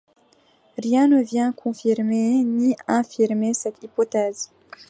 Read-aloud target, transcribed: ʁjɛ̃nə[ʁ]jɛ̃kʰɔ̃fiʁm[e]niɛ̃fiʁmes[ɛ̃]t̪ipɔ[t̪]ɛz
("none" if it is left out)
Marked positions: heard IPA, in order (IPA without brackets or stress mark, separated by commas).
v, e, ɛ, t̪